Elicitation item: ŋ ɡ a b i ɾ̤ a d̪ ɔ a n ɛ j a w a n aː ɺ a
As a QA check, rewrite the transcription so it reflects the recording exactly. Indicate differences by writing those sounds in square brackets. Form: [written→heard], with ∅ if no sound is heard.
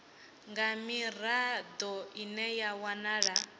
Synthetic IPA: ŋ ɡ a [b→m] i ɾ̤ a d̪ ɔ [a→i] n ɛ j a w a n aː ɺ a